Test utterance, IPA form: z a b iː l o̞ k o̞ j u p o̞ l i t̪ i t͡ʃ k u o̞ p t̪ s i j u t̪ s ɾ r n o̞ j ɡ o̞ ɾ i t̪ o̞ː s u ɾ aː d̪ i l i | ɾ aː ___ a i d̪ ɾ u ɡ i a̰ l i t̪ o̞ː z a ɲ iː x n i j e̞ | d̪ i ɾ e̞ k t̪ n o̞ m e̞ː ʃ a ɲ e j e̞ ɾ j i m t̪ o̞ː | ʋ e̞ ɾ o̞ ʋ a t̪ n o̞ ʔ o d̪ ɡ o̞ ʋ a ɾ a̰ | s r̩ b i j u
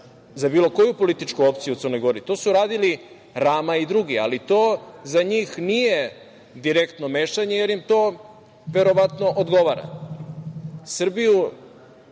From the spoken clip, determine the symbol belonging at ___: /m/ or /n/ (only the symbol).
m